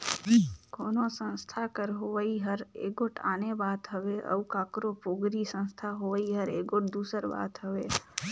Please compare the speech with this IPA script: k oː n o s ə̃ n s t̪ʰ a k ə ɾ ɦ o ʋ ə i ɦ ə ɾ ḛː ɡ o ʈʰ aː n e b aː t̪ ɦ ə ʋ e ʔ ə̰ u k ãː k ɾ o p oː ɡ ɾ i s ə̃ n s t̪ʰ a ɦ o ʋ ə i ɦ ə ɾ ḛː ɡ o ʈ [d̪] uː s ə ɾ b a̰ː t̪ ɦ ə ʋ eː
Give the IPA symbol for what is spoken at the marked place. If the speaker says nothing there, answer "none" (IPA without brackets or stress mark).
d̪